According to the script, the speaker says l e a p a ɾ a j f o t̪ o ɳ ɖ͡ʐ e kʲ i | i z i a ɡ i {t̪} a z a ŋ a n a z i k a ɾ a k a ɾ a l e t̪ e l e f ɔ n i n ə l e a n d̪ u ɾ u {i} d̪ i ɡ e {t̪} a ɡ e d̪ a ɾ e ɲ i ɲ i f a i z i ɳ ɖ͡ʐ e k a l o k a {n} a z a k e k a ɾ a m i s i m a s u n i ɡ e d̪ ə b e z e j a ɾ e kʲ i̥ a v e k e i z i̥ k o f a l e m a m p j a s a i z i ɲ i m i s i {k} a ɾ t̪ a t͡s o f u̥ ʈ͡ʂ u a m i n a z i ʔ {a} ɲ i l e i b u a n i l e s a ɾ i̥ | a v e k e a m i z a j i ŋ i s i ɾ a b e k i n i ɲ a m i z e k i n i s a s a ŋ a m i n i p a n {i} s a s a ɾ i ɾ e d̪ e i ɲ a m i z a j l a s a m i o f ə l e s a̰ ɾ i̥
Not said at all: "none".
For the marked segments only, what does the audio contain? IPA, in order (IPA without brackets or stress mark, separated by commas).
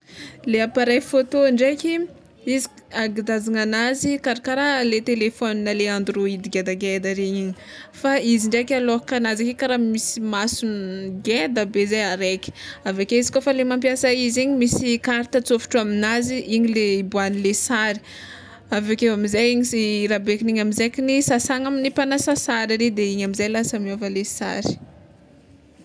d̪, i, d̪, n, k, i, a